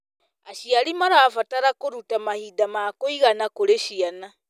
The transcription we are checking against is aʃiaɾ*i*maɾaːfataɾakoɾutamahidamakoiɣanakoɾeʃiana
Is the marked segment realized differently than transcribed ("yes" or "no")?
no